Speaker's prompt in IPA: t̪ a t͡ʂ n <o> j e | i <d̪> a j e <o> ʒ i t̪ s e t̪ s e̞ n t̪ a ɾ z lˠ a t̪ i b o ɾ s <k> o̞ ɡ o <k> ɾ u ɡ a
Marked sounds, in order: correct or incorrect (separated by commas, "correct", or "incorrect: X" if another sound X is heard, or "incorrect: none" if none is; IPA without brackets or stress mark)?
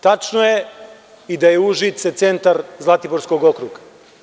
correct, correct, incorrect: u, correct, correct